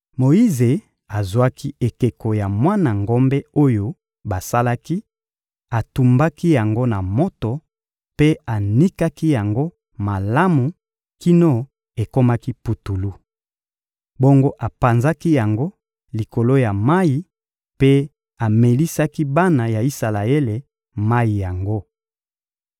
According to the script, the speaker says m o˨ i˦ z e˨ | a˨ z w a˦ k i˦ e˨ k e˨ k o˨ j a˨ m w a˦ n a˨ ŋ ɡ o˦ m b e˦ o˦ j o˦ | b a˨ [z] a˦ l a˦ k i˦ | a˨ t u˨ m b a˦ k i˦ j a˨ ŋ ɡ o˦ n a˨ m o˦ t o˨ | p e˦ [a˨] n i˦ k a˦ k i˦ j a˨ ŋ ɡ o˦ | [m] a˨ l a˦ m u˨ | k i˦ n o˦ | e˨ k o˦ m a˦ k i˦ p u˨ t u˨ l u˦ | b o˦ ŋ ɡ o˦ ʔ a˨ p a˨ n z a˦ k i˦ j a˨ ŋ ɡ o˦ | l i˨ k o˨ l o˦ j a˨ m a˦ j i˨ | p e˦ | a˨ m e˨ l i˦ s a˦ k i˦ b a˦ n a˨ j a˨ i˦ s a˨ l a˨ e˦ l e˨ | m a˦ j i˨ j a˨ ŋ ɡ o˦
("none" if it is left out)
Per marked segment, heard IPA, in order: s, a˨, m

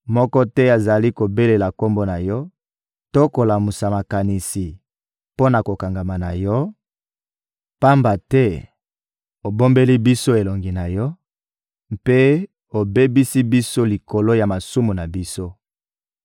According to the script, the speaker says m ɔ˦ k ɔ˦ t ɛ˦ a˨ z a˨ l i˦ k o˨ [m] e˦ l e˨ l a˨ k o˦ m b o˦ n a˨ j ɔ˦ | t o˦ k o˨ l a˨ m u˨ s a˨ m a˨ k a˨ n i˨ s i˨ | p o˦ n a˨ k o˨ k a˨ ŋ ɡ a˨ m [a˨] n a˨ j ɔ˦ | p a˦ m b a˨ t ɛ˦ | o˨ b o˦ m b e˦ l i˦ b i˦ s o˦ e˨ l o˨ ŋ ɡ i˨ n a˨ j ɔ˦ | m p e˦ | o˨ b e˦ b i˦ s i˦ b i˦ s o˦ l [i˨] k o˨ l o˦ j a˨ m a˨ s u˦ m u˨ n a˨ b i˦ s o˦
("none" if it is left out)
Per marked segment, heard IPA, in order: b, a˨, i˨

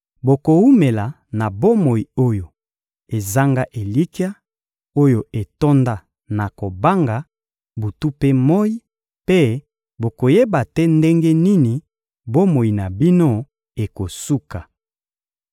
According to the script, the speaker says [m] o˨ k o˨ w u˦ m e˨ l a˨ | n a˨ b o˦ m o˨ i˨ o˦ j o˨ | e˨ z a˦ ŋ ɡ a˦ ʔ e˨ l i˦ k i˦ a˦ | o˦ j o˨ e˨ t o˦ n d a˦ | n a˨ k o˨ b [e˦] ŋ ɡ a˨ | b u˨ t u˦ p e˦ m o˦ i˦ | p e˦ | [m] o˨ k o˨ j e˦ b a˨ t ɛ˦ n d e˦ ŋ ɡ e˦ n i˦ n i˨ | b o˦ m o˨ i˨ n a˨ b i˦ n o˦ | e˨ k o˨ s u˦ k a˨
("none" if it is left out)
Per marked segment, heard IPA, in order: b, a˦, b

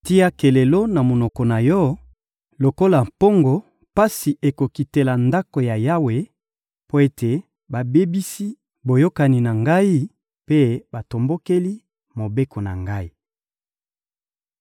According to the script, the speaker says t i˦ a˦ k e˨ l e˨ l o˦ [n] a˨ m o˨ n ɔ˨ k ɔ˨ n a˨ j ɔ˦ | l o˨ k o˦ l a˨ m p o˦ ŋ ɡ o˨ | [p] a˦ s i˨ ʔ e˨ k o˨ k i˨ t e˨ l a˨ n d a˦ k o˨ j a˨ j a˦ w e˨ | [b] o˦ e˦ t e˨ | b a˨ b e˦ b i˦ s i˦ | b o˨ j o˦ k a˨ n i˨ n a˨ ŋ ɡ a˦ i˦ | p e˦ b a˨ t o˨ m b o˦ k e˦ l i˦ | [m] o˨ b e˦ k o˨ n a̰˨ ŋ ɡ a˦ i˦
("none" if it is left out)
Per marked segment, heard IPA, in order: n, p, p, m

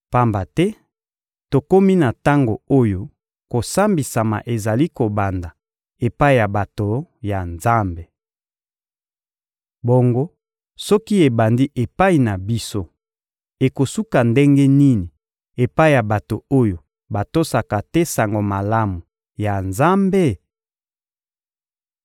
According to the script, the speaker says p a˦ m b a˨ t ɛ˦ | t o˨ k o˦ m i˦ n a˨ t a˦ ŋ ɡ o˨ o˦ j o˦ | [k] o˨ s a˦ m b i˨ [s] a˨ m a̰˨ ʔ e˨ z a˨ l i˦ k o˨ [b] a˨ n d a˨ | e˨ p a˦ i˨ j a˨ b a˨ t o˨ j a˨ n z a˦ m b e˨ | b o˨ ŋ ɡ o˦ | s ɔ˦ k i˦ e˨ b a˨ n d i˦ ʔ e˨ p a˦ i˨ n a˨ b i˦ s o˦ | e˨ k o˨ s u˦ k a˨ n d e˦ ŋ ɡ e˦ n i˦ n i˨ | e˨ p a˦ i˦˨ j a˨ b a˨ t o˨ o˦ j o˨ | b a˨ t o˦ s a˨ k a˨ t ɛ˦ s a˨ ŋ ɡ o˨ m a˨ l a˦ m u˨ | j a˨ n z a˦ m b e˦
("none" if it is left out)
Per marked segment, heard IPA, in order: k, s, b

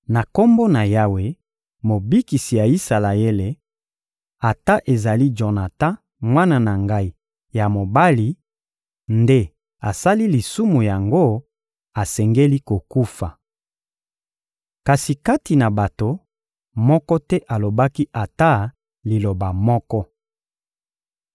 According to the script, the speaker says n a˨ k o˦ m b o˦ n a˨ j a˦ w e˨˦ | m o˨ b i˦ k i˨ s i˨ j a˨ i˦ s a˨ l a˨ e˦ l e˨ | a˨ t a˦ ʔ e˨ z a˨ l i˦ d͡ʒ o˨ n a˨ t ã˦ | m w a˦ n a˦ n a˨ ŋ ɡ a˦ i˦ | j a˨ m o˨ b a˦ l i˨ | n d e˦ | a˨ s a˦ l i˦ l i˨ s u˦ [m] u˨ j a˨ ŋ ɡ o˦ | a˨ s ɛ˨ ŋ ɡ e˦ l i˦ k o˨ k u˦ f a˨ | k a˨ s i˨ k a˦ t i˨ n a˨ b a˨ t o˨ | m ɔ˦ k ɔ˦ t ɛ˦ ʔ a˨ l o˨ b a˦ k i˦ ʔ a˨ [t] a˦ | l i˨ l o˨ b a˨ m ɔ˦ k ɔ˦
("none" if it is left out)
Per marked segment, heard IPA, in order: m, t

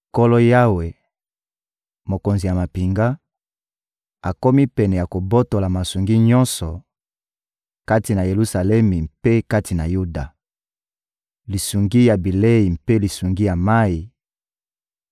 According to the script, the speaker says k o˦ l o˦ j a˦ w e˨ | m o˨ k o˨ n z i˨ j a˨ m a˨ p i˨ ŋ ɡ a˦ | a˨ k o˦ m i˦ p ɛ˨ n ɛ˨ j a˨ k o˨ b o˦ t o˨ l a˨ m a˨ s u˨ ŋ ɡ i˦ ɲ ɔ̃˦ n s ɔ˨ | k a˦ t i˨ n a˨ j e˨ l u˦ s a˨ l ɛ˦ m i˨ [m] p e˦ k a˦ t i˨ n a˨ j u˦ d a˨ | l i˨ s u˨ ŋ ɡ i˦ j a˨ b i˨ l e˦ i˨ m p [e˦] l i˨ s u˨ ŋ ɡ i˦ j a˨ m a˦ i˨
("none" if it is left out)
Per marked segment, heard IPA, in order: m, e˦

